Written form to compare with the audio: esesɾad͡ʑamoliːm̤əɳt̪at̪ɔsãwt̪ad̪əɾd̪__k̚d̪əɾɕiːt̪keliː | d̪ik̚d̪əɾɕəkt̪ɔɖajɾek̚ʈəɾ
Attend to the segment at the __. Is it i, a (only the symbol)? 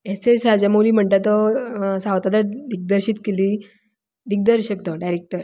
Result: i